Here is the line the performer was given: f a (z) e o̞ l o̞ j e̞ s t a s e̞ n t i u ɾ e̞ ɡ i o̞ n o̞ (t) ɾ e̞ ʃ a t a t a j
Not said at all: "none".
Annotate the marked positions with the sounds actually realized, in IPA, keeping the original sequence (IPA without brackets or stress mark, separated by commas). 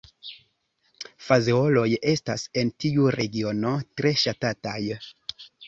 z, t